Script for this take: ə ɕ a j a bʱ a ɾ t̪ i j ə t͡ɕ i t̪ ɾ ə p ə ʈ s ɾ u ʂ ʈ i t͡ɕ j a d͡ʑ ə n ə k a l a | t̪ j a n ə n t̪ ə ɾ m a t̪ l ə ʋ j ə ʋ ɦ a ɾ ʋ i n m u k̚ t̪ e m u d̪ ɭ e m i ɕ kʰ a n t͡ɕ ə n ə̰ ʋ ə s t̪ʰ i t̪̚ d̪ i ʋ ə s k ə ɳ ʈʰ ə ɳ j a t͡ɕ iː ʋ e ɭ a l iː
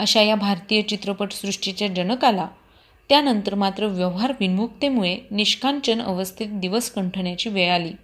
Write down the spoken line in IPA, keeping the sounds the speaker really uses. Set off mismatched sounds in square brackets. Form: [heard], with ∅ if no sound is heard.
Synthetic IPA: ə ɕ a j a bʱ a ɾ t̪ i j ə t͡ɕ i t̪ ɾ ə p ə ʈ s ɾ u ʂ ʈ i t͡ɕ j a d͡ʑ ə n ə k a l a | t̪ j a n ə n t̪ ə ɾ m a t̪ [ɾ] ə ʋ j ə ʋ ɦ a ɾ ʋ i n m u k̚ t̪ e m u [∅] ɭ e [n] i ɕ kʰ a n t͡ɕ ə n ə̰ ʋ ə s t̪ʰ i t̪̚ d̪ i ʋ ə s k ə ɳ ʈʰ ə ɳ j a t͡ɕ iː ʋ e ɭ a l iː